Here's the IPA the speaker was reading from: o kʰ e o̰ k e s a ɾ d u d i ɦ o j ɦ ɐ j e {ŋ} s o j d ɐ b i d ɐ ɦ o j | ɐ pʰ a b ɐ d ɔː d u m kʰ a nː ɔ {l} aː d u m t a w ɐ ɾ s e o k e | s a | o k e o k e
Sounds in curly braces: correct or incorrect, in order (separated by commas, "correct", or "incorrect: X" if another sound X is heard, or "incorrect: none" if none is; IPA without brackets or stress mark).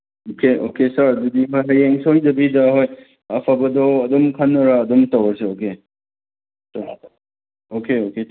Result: correct, incorrect: ɾ